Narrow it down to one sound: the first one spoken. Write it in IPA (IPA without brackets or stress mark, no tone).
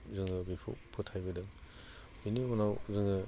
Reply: z